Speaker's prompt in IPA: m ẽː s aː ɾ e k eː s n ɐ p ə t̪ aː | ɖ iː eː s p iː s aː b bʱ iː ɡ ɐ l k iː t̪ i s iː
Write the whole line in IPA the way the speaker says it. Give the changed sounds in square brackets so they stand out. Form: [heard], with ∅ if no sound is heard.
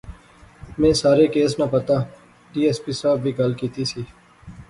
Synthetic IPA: m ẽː s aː ɾ e k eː s n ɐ p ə t̪ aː | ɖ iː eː s p iː s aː b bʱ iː ɡ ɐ l k iː t̪ i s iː

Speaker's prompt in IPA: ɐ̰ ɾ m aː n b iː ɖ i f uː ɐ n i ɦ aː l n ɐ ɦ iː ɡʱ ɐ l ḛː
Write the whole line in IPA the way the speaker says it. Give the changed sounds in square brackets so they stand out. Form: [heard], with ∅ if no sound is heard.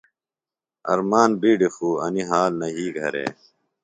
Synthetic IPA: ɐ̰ ɾ m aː n b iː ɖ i f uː ɐ n i ɦ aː l n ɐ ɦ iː ɡʱ ɐ [ɾ] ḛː

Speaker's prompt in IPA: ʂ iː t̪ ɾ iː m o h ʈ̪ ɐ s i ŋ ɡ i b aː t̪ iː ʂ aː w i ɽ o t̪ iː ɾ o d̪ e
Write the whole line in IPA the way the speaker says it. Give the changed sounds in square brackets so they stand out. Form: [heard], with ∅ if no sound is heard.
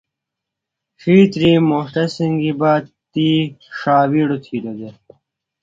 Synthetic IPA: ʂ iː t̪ ɾ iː m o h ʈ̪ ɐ s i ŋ ɡ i b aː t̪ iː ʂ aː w i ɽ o [t̪ʰ] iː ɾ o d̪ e

